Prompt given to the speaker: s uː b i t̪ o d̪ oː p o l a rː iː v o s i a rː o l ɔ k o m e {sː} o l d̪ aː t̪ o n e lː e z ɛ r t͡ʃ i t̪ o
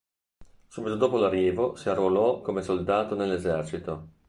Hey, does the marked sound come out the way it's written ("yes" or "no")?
no